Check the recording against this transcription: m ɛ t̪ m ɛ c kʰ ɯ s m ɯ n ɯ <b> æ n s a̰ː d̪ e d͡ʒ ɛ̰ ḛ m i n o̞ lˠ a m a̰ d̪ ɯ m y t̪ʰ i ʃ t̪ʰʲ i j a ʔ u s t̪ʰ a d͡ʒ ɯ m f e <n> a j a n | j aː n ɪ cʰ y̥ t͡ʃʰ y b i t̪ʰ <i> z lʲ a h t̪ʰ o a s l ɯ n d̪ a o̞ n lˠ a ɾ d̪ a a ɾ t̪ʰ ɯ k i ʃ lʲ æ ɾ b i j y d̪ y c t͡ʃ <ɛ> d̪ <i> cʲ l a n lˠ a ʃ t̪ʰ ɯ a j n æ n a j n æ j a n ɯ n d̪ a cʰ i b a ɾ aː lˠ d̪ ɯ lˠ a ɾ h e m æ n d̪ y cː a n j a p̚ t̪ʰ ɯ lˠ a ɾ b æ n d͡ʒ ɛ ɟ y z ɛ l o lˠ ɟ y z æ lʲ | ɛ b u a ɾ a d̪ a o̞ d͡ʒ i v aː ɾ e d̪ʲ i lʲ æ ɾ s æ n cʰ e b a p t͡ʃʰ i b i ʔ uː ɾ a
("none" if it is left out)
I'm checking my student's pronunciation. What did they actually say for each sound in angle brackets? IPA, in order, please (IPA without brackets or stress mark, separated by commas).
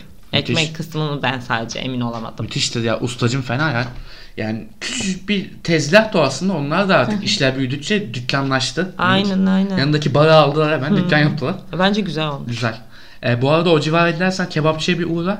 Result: b, n, ɛ, ɛ, y